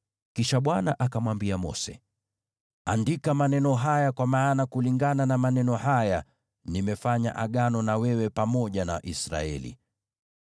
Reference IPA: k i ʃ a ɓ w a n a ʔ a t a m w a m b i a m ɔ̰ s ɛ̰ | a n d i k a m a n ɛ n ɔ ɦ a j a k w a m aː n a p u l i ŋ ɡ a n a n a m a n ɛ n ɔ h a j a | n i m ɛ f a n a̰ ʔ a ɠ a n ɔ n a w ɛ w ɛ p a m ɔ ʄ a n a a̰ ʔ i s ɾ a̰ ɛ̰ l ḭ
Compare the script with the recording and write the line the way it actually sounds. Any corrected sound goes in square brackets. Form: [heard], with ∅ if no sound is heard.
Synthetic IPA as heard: k i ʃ a ɓ w a n a ʔ a [k] a m w a m b i a m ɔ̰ s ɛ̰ | a n d i k a m a n ɛ n ɔ ɦ a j a k w a m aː n a [k] u l i ŋ ɡ a n a n a m a n ɛ n ɔ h a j a | n i m ɛ f a [ɲ] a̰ ʔ a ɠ a n ɔ n a w ɛ w ɛ p a m ɔ ʄ a n a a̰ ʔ i s ɾ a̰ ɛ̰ l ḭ